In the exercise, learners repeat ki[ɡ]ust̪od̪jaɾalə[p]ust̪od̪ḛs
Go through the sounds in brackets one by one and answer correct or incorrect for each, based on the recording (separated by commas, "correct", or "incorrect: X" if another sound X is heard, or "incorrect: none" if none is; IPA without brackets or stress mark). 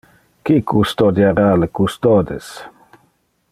incorrect: k, incorrect: k